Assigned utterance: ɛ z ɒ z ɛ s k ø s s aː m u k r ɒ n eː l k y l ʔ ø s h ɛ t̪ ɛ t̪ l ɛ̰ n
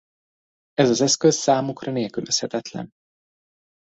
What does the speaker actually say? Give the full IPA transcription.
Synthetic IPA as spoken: ɛ z ɒ z ɛ s k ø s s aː m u k r ɒ n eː l k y l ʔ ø s h ɛ t̪ ɛ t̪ l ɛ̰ n